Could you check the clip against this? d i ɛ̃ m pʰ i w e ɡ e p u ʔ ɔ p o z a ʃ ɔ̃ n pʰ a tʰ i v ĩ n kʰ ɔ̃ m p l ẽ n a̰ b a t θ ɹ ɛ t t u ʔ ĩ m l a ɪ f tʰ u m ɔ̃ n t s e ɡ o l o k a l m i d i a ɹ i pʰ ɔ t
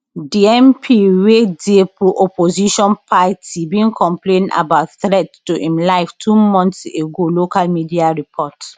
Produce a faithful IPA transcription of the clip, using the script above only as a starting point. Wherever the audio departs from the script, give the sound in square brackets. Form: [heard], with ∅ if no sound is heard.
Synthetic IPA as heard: d i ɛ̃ m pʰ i w e [d] e p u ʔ ɔ p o z [i] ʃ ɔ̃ n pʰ a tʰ i [b] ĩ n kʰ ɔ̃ m p l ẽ n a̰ b a t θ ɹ ɛ t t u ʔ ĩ m l a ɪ f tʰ u m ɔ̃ n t s e ɡ o l o k a l m i d i a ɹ i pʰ ɔ t